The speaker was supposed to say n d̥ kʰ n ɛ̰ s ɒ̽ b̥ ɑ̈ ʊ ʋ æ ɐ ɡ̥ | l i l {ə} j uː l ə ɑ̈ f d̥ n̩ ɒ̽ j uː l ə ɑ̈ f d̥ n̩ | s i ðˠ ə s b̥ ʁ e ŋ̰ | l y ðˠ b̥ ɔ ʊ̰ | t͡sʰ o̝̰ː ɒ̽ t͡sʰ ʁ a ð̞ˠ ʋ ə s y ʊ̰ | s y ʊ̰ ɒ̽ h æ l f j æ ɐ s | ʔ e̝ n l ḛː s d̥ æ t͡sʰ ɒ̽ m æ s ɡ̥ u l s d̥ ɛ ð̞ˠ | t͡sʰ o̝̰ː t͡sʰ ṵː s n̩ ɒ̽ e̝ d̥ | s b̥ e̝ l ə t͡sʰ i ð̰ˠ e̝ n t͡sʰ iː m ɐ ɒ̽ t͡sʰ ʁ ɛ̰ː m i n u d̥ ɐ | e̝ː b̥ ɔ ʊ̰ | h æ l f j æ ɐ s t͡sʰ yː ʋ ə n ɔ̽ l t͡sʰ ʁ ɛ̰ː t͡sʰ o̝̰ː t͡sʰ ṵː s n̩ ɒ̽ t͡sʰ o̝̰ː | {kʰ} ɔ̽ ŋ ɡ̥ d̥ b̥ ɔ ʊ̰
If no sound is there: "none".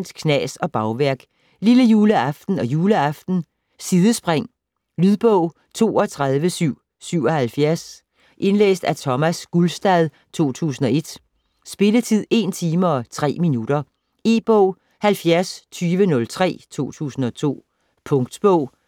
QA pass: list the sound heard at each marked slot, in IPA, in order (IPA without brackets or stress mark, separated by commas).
ə, pʰ